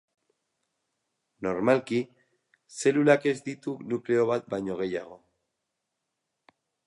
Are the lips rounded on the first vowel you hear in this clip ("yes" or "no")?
yes